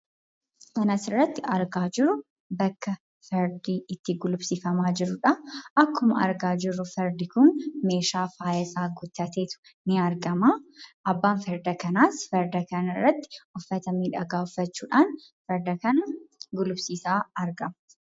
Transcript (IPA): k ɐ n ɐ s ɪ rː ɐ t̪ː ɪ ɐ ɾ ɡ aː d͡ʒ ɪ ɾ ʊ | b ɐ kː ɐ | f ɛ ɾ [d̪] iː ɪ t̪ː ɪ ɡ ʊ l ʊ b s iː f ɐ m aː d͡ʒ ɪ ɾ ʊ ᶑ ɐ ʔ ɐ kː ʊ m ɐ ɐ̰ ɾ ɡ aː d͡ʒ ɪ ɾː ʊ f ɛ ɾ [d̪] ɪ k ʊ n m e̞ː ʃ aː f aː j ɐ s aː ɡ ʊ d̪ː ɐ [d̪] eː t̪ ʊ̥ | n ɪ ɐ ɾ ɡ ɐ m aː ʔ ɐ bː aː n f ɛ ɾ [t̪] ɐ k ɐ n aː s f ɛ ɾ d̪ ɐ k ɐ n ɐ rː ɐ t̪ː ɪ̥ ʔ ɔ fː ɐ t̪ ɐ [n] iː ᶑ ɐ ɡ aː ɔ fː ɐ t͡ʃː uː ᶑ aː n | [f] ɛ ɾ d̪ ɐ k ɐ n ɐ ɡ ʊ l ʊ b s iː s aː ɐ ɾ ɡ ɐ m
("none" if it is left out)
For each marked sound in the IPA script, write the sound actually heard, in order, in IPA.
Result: d̪, d̪, t̪, d̪, m, f

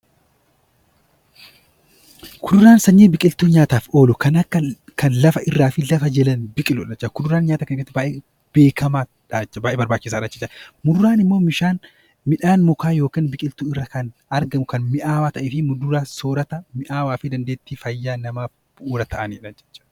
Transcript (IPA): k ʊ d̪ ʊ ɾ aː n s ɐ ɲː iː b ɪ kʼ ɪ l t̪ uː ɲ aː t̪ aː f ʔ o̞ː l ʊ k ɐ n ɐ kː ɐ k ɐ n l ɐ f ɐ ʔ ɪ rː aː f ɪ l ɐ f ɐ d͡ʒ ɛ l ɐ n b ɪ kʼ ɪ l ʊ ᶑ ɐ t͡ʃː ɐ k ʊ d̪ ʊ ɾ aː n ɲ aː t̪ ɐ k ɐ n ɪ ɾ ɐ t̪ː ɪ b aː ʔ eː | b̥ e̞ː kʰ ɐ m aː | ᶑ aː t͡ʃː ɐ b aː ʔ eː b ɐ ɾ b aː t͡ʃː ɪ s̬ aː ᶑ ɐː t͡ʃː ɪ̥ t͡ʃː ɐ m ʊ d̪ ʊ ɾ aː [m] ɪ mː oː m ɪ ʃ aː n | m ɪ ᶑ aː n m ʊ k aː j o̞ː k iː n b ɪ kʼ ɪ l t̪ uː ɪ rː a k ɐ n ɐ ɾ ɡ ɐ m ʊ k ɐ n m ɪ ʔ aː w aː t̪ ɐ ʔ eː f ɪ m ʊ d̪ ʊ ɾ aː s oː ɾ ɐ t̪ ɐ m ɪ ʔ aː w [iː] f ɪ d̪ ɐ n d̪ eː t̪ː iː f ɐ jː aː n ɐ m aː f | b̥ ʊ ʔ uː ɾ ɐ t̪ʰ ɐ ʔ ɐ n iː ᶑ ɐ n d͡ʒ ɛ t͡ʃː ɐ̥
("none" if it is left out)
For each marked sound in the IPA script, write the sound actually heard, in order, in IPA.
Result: n, aː

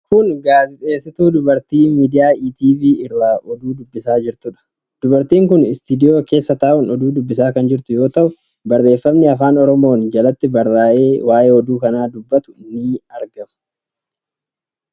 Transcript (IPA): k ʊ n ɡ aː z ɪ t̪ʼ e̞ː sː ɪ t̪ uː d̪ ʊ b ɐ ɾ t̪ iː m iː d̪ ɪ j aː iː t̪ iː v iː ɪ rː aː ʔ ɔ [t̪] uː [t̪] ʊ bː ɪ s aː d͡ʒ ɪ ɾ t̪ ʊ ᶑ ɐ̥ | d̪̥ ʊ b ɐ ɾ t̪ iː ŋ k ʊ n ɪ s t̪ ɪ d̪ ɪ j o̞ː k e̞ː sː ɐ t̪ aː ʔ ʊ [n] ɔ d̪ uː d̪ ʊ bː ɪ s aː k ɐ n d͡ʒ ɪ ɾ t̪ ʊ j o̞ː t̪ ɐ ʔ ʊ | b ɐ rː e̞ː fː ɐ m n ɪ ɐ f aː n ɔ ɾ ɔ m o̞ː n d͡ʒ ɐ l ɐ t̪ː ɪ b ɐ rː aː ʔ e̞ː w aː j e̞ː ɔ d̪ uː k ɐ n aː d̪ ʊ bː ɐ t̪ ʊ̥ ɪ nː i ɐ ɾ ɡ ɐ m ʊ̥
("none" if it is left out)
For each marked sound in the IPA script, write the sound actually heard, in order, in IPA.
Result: d̪, d̪, n

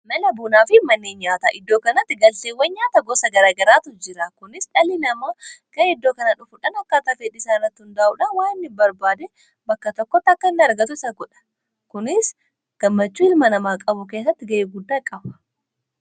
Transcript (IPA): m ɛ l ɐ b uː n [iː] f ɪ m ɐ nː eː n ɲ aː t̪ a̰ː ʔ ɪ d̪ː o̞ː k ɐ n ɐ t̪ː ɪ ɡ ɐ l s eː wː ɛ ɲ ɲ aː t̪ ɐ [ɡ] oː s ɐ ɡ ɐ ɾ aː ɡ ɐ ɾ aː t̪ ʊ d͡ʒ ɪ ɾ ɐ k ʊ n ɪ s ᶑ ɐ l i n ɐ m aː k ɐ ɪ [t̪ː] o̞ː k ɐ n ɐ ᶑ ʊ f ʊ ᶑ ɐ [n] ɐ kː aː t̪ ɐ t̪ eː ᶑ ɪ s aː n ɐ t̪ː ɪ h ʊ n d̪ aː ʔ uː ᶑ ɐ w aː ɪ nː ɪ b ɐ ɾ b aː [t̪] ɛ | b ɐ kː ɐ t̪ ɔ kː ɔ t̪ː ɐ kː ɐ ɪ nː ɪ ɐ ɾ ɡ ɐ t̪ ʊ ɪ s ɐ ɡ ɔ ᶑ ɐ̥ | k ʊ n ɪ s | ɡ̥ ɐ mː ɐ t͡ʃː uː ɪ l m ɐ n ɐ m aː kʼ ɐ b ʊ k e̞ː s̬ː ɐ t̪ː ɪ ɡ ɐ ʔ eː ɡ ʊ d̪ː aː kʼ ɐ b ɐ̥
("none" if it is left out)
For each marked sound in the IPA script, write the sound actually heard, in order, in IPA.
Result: aː, ɡ, d̪ː, n, d̪

